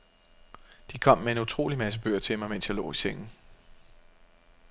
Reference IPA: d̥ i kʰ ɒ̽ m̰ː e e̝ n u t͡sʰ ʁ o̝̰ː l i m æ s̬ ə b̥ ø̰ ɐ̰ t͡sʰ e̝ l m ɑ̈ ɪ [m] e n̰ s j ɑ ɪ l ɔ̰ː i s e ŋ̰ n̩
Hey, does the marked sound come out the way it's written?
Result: yes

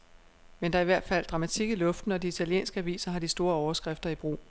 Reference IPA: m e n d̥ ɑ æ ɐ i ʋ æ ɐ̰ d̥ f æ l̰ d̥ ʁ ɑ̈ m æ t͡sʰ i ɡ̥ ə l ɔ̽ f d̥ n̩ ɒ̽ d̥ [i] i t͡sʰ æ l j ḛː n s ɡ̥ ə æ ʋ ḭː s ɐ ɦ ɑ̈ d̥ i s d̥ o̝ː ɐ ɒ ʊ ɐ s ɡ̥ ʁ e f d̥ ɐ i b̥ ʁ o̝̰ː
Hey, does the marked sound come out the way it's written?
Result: yes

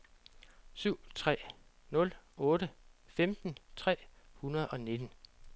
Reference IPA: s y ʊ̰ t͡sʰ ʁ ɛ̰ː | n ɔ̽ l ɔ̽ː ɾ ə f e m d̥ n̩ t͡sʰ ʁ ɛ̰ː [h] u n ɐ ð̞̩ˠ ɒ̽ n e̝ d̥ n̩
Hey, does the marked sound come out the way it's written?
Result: yes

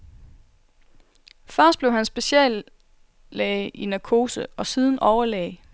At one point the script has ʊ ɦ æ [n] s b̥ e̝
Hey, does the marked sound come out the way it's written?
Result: yes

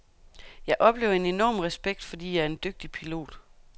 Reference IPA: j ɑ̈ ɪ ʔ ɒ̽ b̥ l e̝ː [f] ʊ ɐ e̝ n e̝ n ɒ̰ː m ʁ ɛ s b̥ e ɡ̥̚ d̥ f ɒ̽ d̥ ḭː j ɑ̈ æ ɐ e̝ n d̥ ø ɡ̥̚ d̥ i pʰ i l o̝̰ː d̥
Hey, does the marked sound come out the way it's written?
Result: no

